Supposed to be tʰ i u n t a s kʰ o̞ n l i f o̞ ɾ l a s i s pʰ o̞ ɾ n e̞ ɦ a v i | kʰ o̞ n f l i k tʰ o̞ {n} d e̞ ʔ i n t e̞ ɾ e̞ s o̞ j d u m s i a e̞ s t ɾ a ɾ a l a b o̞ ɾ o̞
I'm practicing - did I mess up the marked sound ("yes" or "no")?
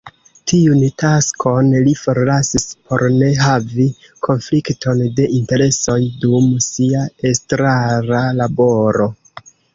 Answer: no